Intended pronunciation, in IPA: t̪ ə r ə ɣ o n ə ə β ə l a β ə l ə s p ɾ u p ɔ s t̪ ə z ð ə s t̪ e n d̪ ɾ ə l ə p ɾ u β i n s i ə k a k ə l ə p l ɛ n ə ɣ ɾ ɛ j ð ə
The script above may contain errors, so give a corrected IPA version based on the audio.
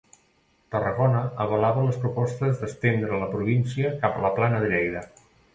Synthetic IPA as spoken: t̪ ə r ə ɣ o n ə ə β ə l a β ə l ə s p ɾ u p ɔ s t̪ ə z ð ə s t̪ e n d̪ ɾ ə l ə p ɾ u β i n s i ə k a p ə l ə p l a n ə ð ɾ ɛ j ð ə